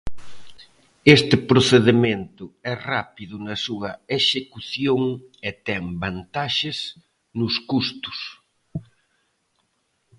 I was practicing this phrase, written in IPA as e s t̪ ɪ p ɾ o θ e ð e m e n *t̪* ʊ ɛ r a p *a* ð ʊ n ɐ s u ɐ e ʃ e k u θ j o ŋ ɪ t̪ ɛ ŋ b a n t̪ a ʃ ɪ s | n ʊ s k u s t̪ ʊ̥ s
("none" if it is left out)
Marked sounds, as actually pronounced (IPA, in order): t̪, i

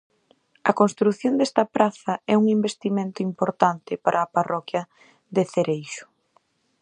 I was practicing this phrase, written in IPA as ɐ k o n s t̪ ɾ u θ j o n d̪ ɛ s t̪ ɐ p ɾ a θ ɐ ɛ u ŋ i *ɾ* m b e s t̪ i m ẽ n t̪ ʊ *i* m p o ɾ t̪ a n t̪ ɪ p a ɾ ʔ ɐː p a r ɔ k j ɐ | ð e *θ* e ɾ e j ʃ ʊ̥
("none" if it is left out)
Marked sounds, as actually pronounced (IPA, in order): none, i, θ

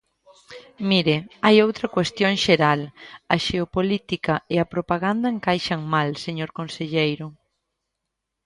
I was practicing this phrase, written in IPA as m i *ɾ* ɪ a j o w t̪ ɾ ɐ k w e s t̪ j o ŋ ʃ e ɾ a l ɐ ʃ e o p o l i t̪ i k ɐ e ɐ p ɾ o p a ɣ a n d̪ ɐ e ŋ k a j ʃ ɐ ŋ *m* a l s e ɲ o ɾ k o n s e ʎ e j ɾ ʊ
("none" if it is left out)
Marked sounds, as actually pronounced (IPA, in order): ɾ, m

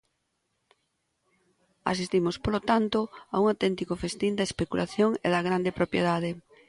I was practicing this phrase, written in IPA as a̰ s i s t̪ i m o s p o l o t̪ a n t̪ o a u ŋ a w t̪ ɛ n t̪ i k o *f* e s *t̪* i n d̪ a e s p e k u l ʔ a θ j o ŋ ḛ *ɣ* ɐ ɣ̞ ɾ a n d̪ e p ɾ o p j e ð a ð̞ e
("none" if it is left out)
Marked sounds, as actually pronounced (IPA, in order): f, t̪, ð

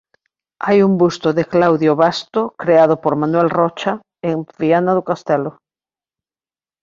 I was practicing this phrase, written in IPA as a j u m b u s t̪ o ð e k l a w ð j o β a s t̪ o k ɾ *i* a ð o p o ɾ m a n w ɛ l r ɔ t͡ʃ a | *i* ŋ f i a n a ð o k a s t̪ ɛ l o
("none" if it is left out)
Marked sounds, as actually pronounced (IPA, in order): e, e

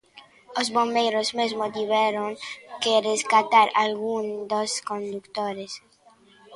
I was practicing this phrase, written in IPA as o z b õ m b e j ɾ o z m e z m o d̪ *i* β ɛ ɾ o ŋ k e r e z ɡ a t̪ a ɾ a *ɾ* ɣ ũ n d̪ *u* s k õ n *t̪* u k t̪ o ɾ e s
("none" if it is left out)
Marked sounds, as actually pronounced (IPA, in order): i, l, o, d̪

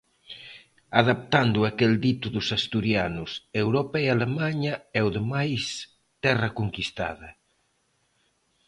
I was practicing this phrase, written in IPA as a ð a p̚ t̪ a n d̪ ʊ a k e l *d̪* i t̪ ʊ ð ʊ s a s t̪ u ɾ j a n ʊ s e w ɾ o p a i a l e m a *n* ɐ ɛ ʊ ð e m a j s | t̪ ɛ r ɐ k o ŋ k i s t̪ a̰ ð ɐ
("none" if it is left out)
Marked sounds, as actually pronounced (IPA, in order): d̪, ɲ

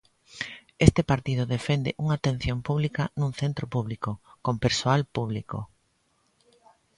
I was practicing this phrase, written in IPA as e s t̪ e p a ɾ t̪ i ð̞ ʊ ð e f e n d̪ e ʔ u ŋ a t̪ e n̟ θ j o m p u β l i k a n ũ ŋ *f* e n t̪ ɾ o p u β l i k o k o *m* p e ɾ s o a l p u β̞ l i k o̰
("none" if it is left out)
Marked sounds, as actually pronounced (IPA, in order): θ, m

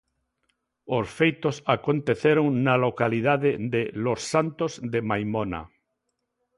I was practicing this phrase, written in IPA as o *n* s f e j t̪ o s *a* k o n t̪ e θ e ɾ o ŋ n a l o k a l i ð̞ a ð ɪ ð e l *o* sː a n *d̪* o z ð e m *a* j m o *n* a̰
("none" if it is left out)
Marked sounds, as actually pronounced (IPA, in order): none, a, o, t̪, a, n

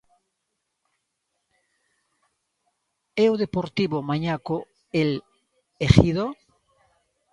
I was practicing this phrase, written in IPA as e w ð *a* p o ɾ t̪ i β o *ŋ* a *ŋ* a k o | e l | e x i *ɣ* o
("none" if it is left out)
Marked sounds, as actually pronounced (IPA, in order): e, m, ɲ, ð

